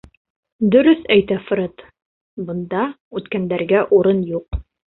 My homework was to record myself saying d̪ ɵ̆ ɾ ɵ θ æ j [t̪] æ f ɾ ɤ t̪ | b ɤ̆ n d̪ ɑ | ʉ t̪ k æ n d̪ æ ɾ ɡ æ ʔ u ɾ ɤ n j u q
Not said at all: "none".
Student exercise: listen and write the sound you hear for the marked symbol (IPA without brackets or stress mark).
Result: t̪